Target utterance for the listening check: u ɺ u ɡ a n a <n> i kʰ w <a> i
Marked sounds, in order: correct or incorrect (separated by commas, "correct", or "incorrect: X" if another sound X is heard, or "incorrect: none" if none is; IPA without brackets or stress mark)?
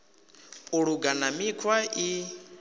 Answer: incorrect: m, correct